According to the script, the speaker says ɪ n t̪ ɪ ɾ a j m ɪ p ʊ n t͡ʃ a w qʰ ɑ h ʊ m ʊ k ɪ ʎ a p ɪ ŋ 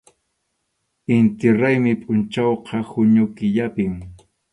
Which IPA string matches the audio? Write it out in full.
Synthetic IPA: ɪ n t̪ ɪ ɾ a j m ɪ pʼ ʊ n t͡ʃ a w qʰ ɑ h ʊ ɲ ʊ k ɪ ʎ a p ɪ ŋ